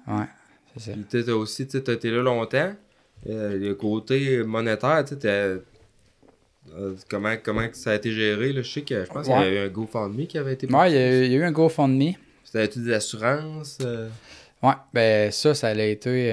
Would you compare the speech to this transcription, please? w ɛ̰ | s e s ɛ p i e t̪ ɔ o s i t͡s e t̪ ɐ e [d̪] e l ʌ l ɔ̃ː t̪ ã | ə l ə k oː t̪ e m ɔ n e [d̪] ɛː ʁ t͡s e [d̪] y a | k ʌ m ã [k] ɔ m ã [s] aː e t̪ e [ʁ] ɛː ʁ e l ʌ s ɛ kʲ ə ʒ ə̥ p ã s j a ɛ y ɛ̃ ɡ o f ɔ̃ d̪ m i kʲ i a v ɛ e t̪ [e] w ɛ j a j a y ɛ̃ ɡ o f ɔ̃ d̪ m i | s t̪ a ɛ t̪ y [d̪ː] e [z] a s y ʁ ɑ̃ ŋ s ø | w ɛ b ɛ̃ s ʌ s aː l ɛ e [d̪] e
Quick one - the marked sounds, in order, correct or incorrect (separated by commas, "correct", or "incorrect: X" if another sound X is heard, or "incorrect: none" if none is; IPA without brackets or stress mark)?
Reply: incorrect: t̪, incorrect: t̪, incorrect: t̪, correct, correct, incorrect: ʒ, correct, incorrect: d̪, correct, incorrect: t̪